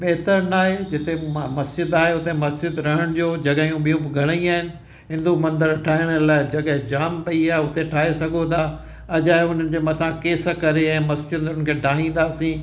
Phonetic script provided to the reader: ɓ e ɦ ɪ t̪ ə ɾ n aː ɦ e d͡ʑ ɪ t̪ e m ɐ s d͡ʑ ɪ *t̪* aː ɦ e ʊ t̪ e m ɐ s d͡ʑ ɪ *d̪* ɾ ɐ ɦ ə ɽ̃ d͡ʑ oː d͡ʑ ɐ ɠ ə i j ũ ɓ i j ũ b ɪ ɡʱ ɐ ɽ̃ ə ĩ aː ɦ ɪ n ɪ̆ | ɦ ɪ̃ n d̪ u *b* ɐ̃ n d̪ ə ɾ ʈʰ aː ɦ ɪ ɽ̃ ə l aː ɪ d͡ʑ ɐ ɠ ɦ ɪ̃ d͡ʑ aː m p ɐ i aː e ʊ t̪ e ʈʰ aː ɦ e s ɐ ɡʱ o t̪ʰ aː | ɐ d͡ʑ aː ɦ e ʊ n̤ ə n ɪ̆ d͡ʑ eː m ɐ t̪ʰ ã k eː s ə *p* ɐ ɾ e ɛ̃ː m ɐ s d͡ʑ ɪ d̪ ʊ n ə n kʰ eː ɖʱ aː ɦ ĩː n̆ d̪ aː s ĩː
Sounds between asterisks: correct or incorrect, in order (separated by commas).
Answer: incorrect, correct, incorrect, incorrect